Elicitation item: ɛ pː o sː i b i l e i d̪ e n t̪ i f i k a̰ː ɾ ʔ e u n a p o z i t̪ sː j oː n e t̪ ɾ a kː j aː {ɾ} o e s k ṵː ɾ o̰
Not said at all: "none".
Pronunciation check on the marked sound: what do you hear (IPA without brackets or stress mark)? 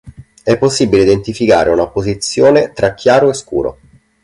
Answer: ɾ